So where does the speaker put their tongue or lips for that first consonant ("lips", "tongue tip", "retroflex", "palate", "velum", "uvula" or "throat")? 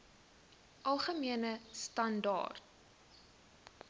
throat